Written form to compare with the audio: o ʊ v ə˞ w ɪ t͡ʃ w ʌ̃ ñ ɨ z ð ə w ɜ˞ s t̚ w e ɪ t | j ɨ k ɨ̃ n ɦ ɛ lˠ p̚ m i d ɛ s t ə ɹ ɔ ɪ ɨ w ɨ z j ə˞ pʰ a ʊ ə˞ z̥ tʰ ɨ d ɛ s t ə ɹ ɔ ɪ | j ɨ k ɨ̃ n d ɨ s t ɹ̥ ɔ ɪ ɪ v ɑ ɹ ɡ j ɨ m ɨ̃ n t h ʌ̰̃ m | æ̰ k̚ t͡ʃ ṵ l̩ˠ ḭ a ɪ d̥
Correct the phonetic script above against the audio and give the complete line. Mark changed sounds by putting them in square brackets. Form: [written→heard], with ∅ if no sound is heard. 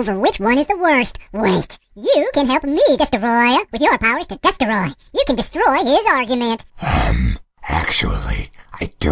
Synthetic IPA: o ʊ v ə˞ w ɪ t͡ʃ w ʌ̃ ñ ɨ z ð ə w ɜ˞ s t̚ w e ɪ t | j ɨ k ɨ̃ n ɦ ɛ lˠ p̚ m i d ɛ s t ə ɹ ɔ ɪ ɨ w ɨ [z→ð] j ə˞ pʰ a ʊ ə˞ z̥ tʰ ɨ d ɛ s t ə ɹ ɔ ɪ | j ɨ k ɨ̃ n d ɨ s t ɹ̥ ɔ ɪ ɪ [v→z] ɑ ɹ ɡ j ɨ m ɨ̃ n t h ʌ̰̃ m | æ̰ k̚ t͡ʃ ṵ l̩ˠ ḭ a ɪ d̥